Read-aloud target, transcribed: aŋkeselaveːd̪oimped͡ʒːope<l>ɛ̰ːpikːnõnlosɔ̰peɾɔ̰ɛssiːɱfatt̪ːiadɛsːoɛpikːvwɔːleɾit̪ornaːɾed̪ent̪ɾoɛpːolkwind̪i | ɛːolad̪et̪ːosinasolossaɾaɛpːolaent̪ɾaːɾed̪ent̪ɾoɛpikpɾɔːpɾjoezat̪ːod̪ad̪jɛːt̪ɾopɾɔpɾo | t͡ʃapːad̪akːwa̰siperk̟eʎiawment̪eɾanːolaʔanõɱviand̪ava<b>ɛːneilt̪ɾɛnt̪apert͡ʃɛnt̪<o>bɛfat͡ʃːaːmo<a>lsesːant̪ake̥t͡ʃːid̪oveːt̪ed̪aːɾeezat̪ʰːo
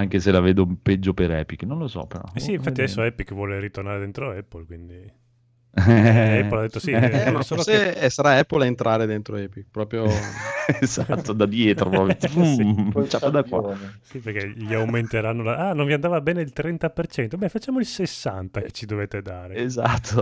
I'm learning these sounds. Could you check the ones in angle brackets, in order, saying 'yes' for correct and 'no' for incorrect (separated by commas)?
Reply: no, yes, yes, no